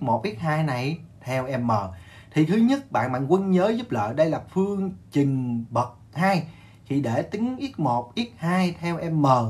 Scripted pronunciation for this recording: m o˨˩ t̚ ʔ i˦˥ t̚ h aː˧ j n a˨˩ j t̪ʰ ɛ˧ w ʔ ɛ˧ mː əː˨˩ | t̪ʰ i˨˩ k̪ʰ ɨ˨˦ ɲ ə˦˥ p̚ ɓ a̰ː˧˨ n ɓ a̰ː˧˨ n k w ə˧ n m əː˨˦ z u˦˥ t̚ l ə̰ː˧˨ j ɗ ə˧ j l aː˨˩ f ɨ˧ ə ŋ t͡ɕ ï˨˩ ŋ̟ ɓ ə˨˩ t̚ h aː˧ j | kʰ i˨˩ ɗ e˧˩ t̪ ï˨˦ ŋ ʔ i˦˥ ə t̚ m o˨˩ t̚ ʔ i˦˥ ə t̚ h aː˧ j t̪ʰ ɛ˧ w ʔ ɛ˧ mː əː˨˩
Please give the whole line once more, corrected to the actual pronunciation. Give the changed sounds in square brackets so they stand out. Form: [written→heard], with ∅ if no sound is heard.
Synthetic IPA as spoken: m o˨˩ t̚ ʔ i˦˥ t̚ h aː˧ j n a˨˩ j t̪ʰ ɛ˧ w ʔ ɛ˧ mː əː˨˩ | t̪ʰ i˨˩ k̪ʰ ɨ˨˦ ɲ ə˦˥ [p̚→t̚] ɓ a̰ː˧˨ n ɓ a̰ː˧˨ n k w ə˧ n [m→ɲ] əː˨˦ z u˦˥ [t̚→p̚] l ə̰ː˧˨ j ɗ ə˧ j l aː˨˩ f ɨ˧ ə ŋ t͡ɕ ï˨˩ ŋ̟ ɓ ə˨˩ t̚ h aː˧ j | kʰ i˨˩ ɗ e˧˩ t̪ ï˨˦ ŋ ʔ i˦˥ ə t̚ m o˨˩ t̚ ʔ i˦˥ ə t̚ h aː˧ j t̪ʰ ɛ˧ w ʔ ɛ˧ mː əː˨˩